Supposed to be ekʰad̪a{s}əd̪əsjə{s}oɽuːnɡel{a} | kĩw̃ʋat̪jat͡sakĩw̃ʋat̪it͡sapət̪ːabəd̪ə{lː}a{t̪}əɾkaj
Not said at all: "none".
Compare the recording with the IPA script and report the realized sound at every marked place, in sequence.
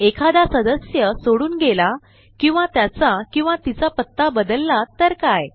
s, s, a, lː, t̪

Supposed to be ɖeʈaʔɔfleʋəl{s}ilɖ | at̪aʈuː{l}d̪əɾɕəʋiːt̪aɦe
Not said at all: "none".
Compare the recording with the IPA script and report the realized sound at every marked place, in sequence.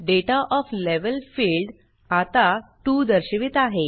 f, none

